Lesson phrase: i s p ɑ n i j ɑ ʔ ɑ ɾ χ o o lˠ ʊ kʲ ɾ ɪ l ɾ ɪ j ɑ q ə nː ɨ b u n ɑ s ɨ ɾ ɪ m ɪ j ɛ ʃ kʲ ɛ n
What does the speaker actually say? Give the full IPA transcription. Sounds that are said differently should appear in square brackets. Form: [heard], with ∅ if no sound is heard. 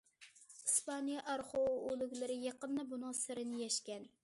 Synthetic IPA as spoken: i s p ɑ n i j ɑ ʔ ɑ ɾ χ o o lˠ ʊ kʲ [l] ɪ [∅] ɾ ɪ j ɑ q ə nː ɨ b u n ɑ s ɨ ɾ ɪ [n] ɪ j ɛ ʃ kʲ ɛ n